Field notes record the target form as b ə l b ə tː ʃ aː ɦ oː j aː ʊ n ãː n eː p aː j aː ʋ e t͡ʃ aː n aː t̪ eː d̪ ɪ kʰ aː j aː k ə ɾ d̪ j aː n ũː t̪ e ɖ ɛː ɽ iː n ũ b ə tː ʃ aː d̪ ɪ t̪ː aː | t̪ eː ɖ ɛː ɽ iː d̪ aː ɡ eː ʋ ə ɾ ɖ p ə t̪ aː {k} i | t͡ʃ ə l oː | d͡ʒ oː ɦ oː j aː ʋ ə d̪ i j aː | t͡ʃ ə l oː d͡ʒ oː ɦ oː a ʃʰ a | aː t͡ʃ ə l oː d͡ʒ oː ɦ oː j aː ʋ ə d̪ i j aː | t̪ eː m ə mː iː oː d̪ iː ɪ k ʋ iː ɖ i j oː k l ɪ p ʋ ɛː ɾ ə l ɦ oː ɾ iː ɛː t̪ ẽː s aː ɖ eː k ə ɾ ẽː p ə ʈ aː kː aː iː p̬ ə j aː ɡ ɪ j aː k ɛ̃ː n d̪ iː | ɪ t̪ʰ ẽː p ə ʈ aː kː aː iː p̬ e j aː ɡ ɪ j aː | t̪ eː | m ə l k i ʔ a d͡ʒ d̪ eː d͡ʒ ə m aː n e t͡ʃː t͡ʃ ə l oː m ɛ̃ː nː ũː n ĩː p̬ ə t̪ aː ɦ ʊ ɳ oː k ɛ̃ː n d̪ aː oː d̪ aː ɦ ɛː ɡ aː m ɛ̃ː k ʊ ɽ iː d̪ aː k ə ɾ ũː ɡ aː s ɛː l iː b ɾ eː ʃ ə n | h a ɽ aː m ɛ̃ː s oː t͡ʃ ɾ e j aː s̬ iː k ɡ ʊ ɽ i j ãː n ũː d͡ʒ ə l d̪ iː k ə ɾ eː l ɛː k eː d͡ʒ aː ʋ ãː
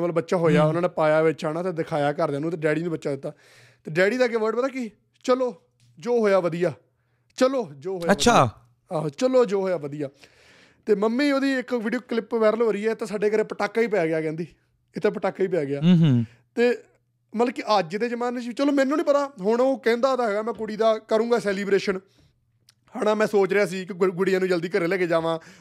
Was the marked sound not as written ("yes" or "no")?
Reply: no